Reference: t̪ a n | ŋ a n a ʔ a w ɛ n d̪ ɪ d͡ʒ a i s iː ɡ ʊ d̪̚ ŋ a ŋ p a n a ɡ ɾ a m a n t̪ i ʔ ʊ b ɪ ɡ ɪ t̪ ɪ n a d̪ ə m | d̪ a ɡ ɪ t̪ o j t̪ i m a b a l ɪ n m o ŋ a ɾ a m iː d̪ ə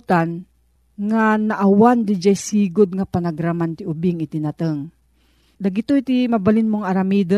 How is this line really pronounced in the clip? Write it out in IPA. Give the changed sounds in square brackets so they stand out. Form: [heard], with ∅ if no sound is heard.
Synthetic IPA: t̪ a n | ŋ a n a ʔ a w [a] n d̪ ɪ d͡ʒ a [j] s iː ɡ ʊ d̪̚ ŋ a [∅] p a n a ɡ ɾ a m a n t̪ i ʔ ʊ b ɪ [ŋ] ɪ t̪ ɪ n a [t̪] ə [ŋ] | d̪ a ɡ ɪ t̪ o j t̪ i m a b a l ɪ n m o ŋ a ɾ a m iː d̪ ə